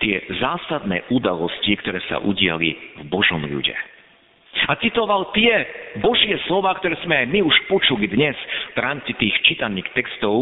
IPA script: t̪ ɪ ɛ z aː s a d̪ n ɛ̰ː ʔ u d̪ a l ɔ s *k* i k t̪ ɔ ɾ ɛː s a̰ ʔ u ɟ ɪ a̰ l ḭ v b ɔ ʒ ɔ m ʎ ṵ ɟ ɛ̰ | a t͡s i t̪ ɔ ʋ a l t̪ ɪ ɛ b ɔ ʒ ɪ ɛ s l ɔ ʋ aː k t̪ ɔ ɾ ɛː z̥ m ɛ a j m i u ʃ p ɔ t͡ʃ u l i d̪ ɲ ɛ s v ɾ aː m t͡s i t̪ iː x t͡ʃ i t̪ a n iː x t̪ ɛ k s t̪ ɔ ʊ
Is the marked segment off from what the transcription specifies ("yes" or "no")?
yes